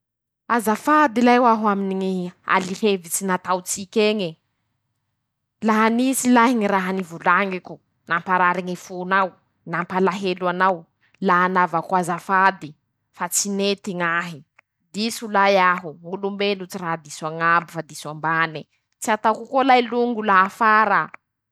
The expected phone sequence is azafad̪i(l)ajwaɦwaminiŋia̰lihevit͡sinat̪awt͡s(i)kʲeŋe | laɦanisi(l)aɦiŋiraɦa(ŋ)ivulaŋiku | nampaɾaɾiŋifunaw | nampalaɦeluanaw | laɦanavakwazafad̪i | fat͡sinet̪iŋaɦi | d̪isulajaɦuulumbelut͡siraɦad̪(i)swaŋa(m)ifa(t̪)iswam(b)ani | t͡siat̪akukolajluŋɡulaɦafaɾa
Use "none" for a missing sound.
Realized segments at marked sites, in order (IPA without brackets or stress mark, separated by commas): l, i, l, n, i, b, d̪, b